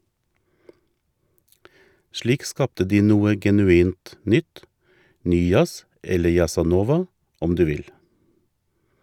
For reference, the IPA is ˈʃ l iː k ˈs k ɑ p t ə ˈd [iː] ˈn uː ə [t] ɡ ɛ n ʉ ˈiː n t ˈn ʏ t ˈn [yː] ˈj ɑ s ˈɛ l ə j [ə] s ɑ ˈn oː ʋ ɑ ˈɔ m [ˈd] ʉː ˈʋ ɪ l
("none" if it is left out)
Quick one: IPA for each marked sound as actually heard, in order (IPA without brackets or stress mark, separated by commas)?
iː, none, yː, ɑ, d